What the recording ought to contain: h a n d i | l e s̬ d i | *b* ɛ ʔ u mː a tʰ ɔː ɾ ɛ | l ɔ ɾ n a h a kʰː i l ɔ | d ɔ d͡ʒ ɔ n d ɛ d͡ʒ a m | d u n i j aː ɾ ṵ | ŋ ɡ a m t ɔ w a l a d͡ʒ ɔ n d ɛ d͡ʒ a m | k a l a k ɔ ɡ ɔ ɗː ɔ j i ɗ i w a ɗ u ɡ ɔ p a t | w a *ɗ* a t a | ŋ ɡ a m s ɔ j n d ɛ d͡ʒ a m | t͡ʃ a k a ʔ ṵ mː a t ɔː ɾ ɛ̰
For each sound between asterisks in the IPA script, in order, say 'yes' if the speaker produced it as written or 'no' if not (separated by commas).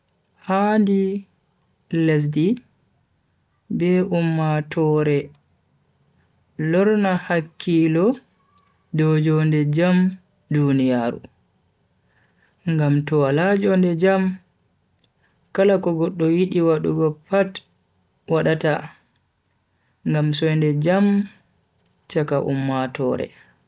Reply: yes, yes